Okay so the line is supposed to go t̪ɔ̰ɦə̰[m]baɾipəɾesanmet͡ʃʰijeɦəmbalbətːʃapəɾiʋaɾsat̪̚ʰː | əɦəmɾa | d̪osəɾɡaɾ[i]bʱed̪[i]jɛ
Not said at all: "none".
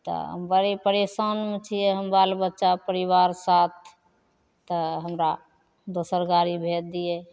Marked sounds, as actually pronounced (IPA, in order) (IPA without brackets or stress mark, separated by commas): m, i, i